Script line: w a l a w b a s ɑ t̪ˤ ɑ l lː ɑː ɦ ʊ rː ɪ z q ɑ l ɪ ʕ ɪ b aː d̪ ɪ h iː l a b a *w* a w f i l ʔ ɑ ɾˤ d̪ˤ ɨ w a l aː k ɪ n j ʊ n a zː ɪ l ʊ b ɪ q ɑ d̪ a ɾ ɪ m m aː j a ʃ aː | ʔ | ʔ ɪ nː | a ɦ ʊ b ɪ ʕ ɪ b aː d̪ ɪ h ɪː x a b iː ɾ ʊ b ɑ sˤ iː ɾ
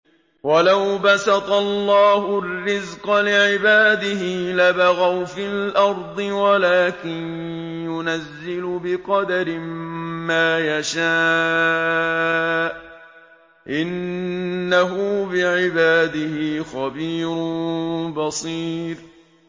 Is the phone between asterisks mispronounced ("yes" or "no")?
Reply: yes